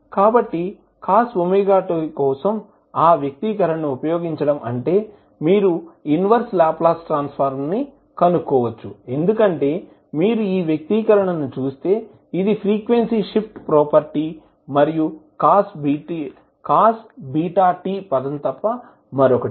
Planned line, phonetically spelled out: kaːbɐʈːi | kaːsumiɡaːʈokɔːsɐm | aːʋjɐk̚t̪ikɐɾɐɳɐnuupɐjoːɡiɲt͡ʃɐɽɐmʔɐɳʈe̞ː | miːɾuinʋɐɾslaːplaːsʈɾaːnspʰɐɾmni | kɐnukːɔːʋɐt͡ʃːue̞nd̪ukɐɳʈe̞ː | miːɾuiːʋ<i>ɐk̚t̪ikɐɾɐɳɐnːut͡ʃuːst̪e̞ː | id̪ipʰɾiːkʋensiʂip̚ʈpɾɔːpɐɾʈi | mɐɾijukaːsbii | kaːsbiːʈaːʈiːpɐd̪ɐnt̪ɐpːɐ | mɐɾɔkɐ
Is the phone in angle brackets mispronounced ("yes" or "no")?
yes